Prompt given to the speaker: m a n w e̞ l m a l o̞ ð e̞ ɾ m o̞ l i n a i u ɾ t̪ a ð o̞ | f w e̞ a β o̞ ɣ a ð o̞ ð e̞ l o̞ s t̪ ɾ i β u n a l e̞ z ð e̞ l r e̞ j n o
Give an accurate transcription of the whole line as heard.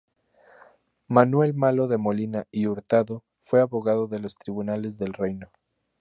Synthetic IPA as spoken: m a n w e̞ l m a l o̞ ð e̞ m o̞ l i n a i u ɾ t̪ a ð o̞ | f w e̞ a β o̞ ɣ a ð o̞ ð e̞ l o̞ s t̪ ɾ i β u n a l e̞ z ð e̞ l r e̞ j n o